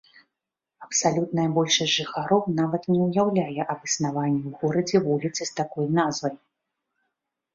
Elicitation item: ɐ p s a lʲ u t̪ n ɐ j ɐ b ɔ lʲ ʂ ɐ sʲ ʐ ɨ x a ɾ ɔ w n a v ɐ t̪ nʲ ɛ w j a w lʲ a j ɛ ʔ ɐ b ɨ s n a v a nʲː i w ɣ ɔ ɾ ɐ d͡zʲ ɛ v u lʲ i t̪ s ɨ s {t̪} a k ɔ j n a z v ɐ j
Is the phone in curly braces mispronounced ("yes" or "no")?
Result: no